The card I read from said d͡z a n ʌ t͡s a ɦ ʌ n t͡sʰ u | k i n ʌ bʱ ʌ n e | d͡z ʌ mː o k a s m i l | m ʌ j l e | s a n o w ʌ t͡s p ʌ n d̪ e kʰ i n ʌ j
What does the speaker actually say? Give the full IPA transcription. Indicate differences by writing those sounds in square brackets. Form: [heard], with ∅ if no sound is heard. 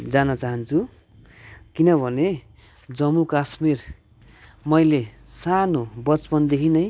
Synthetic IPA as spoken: d͡z a n ʌ t͡s a ɦ ʌ n t͡sʰ u | k i n ʌ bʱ ʌ n e | d͡z ʌ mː [u] k a s m i [r] | m ʌ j l e | s a n o [b] ʌ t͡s p ʌ n d̪ e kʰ i n ʌ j